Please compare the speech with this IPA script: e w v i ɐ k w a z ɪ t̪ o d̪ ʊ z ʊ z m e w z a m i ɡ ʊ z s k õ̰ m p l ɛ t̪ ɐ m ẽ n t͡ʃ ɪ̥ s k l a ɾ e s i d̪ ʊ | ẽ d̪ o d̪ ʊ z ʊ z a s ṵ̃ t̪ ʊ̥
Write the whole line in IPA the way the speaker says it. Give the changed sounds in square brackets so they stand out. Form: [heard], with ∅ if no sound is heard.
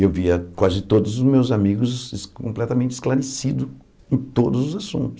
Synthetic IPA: e w v i ɐ k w a z ɪ t̪ o d̪ ʊ z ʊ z m e w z a m i ɡ ʊ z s k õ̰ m p l ɛ t̪ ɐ m ẽ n t͡ʃ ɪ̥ s k l a ɾ e s i d̪ ʊ | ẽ [t̪] o d̪ ʊ z ʊ z a s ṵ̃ t̪ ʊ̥